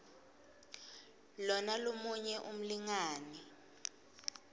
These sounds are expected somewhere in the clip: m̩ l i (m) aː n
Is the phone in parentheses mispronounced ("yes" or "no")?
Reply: yes